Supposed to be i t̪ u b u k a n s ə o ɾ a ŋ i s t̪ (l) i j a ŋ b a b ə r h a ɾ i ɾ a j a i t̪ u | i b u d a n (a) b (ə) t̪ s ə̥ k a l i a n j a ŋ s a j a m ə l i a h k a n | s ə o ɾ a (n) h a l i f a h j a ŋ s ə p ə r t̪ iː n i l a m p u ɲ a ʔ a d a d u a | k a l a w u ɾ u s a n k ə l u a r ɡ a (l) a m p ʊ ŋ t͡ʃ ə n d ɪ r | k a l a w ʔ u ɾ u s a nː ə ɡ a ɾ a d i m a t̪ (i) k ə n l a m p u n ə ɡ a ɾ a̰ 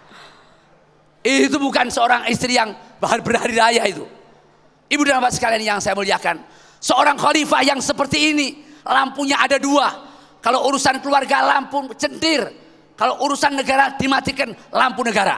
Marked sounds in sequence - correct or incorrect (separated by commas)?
incorrect, correct, incorrect, incorrect, correct, correct